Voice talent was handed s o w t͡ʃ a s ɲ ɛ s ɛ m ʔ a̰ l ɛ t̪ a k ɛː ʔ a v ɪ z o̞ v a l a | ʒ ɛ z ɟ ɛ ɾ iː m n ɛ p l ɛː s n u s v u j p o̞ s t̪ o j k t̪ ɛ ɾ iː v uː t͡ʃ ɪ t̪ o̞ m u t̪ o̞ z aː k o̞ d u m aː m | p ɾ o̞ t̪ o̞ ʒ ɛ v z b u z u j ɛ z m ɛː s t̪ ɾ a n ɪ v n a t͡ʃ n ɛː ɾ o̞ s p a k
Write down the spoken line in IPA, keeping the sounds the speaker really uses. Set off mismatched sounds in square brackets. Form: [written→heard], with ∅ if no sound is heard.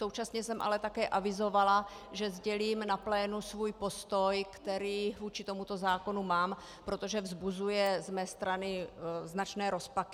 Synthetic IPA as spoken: s o w t͡ʃ a s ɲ ɛ s ɛ m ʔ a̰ l ɛ t̪ a k ɛː ʔ a v ɪ z o̞ v a l a | ʒ ɛ z ɟ ɛ [ɾ→l] iː m n [ɛ→a] p l ɛː [s→∅] n u s v u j p o̞ s t̪ o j k t̪ ɛ ɾ iː v uː t͡ʃ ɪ t̪ o̞ m u t̪ o̞ z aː k o̞ [d→n] u m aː m | p ɾ o̞ t̪ o̞ ʒ ɛ v z b u z u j ɛ z m ɛː s t̪ ɾ a n ɪ [v→z] n a t͡ʃ n ɛː ɾ o̞ s p a k